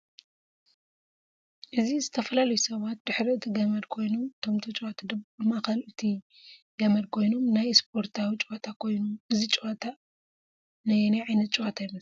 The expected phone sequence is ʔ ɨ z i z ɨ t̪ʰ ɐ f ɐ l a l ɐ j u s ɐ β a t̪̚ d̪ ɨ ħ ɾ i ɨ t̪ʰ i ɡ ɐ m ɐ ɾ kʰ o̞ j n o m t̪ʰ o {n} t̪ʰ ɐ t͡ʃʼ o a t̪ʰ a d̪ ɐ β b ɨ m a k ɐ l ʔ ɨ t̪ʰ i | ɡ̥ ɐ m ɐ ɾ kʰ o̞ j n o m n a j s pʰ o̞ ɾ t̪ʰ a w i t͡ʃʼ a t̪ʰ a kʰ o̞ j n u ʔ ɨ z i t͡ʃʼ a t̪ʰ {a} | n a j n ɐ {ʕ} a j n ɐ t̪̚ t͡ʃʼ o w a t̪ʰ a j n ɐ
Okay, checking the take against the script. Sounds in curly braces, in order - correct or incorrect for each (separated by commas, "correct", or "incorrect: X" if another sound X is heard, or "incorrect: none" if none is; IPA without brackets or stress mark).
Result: incorrect: m, correct, correct